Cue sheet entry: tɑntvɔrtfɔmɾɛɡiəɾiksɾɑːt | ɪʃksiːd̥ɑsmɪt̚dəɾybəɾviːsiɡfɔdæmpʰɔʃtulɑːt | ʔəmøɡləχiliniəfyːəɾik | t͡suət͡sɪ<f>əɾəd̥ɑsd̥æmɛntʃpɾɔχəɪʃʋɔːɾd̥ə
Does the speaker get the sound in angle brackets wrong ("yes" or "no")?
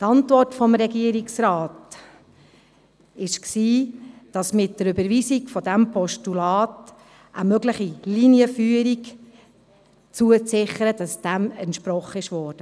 yes